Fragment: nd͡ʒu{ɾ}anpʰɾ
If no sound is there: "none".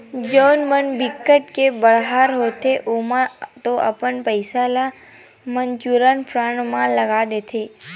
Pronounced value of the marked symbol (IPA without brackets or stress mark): ɾ